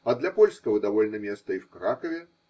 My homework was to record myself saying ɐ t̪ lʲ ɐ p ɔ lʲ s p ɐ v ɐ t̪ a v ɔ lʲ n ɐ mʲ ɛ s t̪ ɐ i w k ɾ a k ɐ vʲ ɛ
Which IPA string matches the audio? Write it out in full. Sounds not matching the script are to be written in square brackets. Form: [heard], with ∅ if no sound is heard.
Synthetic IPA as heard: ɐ [d̪] lʲ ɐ p ɔ lʲ s [k] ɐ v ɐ [d̪] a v ɔ lʲ n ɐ mʲ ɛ s t̪ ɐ i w k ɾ a k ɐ vʲ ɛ